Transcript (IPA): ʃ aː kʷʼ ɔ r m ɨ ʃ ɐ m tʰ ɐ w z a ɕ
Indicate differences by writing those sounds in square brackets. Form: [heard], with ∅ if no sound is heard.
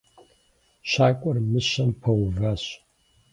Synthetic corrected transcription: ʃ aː kʷʼ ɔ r m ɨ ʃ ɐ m [pʰ] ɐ w [v] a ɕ